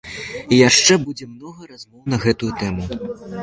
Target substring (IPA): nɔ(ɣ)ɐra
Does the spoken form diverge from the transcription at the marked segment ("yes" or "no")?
no